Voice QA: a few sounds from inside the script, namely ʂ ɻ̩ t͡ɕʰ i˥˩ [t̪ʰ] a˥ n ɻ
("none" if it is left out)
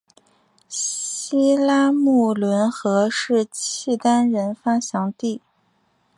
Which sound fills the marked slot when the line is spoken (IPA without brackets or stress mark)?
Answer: t̪